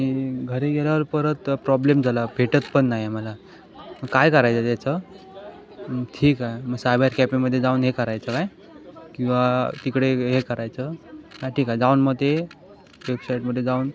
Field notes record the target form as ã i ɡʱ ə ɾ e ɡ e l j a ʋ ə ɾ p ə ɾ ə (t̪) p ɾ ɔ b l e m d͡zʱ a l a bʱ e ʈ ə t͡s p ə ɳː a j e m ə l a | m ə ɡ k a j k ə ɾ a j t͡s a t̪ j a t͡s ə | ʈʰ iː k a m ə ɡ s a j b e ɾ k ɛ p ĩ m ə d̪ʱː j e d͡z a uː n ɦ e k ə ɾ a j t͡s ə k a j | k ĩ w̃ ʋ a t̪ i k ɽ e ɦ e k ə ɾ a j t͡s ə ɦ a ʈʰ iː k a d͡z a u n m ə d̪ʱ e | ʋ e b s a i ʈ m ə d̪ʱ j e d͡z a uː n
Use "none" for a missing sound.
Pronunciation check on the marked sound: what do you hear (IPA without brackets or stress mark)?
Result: t̪